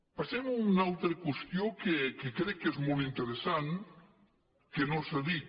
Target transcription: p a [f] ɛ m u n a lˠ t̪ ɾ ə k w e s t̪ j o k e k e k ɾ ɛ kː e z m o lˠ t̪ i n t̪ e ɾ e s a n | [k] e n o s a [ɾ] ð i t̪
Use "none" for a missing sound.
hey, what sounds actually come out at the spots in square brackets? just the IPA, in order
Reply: s, k, none

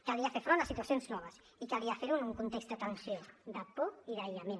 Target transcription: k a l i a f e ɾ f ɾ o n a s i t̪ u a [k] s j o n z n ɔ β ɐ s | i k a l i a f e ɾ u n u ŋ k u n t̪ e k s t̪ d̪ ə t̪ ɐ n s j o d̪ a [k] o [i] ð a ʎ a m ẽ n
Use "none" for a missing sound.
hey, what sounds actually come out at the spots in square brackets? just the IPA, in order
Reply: none, p, i

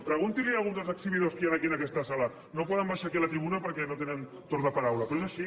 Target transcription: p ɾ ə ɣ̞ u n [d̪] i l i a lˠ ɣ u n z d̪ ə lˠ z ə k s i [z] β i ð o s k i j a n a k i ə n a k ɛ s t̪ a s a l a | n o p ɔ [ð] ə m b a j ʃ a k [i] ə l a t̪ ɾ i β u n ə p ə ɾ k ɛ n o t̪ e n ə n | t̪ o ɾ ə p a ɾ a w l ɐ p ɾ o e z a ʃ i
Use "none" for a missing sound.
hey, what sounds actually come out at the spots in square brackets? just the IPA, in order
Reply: t̪, none, ð, i

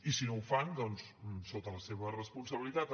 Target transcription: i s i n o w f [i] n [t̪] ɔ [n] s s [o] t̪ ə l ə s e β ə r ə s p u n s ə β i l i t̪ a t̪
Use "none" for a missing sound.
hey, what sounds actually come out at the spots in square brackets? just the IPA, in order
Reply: a, d̪, n, o

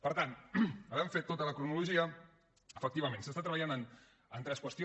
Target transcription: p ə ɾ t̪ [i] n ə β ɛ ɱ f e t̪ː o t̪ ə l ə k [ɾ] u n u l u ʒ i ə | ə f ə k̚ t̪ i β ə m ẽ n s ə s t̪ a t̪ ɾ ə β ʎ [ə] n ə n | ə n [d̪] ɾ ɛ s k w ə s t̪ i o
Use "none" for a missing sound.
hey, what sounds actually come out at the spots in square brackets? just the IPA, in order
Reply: a, ɾ, a, t̪

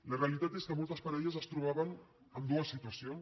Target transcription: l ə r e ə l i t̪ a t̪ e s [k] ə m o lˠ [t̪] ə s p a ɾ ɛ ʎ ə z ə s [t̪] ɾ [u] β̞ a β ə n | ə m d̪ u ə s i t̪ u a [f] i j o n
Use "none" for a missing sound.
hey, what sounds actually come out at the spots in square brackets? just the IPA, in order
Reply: k, t̪, t̪, u, s

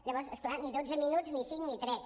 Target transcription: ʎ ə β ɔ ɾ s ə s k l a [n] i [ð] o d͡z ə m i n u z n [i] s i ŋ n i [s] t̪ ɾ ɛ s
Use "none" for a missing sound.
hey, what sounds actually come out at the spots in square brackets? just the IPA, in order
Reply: n, ð, i, none

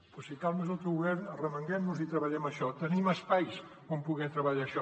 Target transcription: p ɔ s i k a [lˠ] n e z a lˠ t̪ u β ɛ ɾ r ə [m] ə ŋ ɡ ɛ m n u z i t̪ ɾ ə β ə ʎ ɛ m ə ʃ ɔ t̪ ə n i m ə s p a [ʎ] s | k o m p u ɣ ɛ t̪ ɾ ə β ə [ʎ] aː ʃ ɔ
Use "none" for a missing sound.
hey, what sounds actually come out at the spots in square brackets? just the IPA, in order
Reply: lˠ, m, j, ʎ

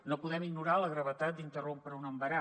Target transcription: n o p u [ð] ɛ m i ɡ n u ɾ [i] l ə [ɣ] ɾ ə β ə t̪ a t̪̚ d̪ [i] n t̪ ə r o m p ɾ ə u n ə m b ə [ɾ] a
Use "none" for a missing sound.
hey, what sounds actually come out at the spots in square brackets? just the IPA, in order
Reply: ð, a, ɣ, i, ɾ

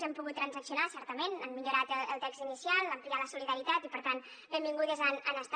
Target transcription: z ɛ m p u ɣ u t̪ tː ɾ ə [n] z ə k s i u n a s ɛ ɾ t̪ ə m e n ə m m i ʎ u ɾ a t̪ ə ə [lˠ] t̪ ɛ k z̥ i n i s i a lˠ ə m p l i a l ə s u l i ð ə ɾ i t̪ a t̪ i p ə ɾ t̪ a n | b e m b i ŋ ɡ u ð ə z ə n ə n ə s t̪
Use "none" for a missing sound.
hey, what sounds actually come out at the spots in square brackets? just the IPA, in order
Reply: n, lˠ

